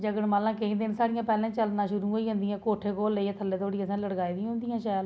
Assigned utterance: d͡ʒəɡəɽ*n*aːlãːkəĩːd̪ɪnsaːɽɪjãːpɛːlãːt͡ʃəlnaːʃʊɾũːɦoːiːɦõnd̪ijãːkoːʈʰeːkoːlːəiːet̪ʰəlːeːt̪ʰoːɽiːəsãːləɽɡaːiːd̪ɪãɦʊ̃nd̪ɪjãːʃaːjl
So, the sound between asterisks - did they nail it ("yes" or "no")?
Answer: no